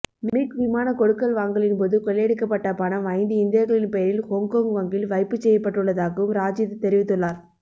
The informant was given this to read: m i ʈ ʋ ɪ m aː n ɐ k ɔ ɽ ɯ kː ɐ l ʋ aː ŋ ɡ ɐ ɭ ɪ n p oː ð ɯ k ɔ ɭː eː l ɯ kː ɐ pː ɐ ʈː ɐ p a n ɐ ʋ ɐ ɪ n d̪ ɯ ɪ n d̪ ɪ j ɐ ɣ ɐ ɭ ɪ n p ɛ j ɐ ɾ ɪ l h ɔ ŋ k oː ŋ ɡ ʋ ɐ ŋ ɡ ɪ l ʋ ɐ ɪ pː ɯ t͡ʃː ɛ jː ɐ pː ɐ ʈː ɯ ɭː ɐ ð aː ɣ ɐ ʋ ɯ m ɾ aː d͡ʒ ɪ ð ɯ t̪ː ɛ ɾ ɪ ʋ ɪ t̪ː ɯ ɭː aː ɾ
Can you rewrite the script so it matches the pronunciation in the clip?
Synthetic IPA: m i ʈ ʋ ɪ m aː n ɐ k ɔ ɽ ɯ kː ɐ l ʋ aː ŋ ɡ ɐ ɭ ɪ n p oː ð ɯ k ɔ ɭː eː ɽ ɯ kː ɐ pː ɐ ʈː ɐ p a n ɐ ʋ ɐ ɪ n d̪ ɯ ɪ n d̪ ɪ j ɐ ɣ ɐ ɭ ɪ n p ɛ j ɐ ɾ ɪ l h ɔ ŋ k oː ŋ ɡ ʋ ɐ ŋ ɡ ɪ l ʋ ɐ ɪ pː ɯ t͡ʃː ɛ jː ɐ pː ɐ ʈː ɯ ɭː ɐ ð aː ɣ ɐ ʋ ɯ m ɾ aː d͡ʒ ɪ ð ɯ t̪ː ɛ ɾ ɪ ʋ ɪ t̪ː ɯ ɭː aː ɾ